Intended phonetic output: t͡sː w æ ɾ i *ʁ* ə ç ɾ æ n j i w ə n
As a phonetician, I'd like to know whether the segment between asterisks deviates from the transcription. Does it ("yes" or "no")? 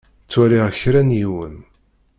no